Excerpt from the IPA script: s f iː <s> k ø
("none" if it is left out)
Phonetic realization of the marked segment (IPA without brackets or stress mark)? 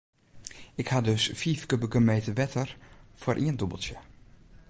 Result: f